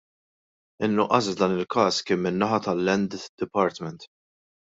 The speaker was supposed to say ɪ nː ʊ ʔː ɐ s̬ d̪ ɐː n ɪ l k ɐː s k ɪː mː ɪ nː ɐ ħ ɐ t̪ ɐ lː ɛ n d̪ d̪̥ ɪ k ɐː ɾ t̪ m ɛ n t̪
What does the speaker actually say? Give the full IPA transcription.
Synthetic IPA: ɪ nː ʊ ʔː ɐ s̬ d̪ ɐː n ɪ l k ɐː s k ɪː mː ɪ nː ɐ ħ ɐ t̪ ɐ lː ɛ n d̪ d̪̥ ɪ p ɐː ɾ t̪ m ɛ n t̪